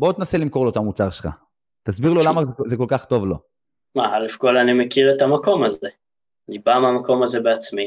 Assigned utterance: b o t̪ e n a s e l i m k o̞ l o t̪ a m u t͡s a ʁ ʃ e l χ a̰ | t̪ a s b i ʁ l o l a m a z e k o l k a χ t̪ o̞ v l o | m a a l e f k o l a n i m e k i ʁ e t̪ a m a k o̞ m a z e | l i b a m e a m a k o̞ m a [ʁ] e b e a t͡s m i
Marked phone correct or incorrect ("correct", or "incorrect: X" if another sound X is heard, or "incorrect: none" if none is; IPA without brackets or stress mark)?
incorrect: z